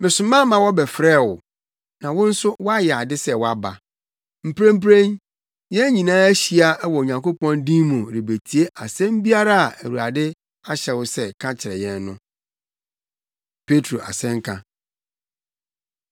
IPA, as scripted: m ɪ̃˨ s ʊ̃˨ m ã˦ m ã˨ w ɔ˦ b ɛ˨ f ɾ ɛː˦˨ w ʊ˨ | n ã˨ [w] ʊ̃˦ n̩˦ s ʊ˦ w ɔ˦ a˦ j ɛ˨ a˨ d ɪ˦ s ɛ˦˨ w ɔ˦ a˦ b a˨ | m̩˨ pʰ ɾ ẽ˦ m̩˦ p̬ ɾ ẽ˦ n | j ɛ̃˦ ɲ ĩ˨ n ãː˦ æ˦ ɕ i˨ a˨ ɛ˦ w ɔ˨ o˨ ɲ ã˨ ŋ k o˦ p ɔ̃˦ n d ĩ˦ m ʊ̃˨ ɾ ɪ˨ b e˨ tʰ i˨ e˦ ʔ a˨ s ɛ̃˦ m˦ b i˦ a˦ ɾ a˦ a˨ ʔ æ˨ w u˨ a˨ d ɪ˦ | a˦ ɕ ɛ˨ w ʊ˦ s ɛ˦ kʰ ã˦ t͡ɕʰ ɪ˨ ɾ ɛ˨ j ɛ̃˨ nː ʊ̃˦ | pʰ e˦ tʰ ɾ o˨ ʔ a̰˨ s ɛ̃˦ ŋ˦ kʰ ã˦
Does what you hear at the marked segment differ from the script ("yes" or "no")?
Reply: no